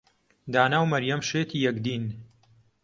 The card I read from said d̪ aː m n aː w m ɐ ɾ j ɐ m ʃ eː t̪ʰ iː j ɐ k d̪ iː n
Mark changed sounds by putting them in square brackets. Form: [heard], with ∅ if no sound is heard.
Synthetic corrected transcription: d̪ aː [∅] n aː w m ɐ ɾ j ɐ m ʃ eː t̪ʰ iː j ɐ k d̪ iː n